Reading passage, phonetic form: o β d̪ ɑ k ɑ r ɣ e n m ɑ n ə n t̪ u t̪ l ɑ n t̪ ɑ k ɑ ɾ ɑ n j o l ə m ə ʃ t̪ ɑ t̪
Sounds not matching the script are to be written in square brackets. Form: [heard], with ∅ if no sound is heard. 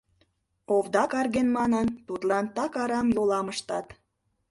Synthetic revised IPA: o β d̪ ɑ k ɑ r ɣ e n m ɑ n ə n t̪ u t̪ l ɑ n t̪ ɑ k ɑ ɾ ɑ [m] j o l [ɑ] m ə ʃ t̪ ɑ t̪